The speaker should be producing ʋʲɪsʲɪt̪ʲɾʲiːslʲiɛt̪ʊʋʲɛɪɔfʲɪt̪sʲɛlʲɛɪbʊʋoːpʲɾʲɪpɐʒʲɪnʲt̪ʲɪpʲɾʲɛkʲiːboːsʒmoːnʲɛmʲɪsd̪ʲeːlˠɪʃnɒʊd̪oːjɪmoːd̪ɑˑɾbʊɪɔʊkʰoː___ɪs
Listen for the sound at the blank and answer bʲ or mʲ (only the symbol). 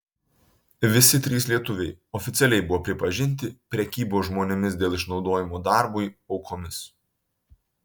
mʲ